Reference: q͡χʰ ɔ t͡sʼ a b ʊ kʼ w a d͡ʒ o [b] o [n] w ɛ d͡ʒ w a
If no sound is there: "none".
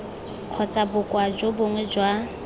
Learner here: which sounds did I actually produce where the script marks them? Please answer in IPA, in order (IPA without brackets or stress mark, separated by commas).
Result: b, ŋ